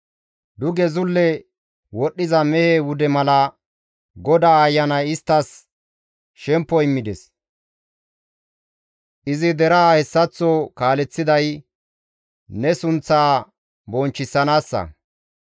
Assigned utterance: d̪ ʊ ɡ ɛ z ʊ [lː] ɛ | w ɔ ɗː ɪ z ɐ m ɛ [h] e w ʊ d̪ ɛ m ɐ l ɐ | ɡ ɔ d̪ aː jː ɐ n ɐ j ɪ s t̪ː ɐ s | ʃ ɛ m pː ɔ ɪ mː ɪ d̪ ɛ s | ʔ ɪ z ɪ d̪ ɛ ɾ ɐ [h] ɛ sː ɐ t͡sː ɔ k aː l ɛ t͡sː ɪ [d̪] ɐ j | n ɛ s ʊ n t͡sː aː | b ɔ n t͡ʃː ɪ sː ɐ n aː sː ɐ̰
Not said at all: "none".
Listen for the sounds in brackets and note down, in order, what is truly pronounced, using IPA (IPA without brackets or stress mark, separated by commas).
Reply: lː, h, h, d̪